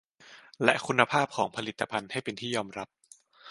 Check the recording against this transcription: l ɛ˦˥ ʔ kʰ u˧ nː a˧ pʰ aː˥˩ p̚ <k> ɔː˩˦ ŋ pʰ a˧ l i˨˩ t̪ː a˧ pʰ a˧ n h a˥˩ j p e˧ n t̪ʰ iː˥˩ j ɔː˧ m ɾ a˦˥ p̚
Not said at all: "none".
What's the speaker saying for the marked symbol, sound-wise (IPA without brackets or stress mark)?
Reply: kʰ